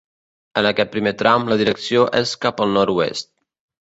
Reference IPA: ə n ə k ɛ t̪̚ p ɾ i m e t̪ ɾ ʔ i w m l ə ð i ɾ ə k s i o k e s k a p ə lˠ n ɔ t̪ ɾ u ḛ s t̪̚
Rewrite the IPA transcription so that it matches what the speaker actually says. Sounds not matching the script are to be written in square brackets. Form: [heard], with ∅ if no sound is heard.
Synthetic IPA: ə n ə k ɛ t̪̚ p ɾ i m e t̪ ɾ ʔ [a] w m l ə ð i ɾ ə k s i o [ʔ] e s k a p ə lˠ n ɔ [∅] ɾ u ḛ s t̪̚